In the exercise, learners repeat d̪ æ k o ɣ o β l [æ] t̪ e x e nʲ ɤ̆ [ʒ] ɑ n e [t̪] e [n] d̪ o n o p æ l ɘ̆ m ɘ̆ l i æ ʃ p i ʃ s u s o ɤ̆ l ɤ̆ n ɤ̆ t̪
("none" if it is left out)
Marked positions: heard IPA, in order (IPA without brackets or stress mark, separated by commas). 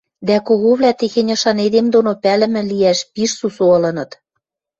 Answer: æ, ʃ, d̪, m